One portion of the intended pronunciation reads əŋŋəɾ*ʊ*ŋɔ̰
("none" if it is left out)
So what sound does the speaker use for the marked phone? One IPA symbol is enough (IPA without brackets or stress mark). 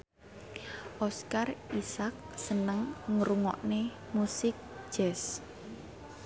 u